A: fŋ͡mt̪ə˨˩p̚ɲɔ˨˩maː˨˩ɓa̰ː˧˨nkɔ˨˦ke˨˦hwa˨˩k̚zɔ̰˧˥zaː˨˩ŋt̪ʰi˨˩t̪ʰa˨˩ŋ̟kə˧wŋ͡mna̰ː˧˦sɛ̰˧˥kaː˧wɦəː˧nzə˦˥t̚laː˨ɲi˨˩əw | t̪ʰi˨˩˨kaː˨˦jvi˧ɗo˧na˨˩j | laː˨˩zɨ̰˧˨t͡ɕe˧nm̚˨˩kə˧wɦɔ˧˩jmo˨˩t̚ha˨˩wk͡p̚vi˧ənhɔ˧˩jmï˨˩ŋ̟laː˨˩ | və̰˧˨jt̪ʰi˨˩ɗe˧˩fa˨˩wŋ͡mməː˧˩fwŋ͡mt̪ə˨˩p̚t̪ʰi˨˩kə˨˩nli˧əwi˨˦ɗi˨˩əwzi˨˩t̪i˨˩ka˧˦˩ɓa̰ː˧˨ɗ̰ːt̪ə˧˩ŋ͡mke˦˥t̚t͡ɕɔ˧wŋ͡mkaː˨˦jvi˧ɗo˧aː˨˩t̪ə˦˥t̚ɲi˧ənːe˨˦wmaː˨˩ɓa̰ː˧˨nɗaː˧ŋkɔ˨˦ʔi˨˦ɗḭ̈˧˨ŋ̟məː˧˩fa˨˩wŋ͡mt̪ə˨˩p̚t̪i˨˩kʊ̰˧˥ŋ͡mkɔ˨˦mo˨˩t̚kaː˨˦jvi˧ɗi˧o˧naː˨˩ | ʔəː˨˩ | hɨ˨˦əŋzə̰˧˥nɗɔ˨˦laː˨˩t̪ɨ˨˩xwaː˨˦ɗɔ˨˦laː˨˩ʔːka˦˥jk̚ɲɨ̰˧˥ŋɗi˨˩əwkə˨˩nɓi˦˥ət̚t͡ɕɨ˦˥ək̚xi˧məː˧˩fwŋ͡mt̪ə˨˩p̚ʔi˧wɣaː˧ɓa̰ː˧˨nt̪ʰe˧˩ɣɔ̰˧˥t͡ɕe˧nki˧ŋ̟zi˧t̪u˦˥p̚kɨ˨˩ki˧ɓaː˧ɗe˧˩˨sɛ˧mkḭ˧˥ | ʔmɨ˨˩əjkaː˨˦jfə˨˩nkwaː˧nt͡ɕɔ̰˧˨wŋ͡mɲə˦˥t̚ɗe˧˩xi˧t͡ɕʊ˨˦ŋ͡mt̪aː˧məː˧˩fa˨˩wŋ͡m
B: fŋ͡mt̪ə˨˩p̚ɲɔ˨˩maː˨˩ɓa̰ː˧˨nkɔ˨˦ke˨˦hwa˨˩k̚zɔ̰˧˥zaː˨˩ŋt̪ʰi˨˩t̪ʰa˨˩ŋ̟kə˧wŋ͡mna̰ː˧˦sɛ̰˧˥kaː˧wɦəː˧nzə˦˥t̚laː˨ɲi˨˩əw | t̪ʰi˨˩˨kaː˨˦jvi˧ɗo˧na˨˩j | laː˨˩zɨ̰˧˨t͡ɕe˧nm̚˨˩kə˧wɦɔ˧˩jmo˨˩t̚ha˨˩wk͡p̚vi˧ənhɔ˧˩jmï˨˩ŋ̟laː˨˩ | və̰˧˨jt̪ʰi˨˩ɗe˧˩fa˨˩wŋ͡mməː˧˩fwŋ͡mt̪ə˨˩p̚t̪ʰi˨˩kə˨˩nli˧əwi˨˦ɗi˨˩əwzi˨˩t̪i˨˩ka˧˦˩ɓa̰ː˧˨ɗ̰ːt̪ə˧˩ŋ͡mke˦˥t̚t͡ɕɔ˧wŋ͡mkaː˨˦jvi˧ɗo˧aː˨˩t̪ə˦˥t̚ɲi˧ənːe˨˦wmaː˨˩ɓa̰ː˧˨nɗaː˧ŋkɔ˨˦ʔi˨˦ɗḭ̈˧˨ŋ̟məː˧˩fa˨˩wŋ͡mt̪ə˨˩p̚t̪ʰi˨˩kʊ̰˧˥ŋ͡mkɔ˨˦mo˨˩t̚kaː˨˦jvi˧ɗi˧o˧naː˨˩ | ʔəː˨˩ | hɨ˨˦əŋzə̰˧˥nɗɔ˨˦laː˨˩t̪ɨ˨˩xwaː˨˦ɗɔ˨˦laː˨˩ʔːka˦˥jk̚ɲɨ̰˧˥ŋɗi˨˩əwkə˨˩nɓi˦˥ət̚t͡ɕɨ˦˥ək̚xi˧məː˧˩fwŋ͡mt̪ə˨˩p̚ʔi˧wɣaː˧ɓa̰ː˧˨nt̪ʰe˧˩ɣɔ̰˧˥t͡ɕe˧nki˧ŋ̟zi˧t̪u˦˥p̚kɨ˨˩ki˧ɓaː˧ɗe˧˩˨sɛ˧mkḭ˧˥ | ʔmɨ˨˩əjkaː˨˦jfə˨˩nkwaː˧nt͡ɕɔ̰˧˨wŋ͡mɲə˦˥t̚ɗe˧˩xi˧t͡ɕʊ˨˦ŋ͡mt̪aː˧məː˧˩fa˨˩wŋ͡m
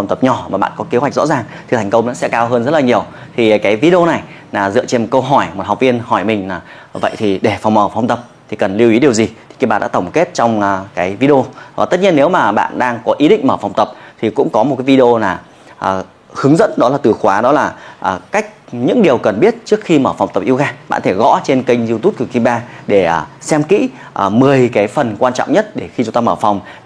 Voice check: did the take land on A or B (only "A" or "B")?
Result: B